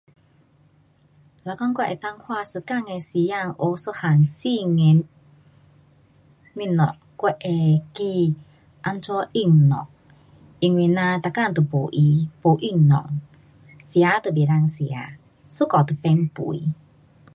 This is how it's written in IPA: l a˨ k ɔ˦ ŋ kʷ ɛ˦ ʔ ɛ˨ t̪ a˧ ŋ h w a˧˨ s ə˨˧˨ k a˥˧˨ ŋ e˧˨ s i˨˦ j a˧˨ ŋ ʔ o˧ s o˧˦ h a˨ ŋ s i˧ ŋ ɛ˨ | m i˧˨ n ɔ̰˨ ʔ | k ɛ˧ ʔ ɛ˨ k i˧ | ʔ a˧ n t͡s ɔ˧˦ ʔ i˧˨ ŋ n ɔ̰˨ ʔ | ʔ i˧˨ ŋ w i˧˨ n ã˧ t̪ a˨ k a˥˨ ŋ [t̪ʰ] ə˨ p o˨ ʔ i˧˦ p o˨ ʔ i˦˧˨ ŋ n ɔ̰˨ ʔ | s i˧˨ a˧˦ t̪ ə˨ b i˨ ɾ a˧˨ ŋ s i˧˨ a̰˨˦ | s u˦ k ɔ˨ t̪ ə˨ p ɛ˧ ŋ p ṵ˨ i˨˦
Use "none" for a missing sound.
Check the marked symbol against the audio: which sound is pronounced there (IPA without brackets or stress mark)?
t̪